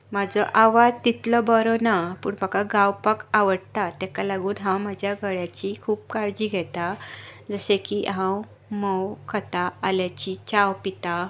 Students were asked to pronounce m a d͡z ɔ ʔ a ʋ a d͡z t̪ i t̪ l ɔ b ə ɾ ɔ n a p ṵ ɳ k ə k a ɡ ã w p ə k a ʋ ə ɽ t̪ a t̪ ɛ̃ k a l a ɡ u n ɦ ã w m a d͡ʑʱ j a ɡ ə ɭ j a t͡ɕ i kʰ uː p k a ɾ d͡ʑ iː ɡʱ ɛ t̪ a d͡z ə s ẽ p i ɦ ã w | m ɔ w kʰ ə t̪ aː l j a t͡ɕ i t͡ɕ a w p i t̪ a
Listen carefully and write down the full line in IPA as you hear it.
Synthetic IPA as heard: m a d͡z ɔ ʔ a ʋ a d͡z t̪ i t̪ l ɔ b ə ɾ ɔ n a p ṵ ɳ p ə k a ɡ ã w p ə k a ʋ ə ɽ t̪ a t̪ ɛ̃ k a l a ɡ uː n ɦ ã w m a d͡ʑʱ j a ɡ ə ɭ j a t͡ɕ i kʰ uː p k a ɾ d͡ʑ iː ɡʱ ɛ t̪ a d͡z ə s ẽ k i ɦ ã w | m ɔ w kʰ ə t̪ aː l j a t͡ɕ i t͡ɕ a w p i t̪ a